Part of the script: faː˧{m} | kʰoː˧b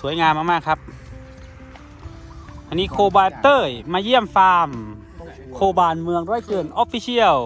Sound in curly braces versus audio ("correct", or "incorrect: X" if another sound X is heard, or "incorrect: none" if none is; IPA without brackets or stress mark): correct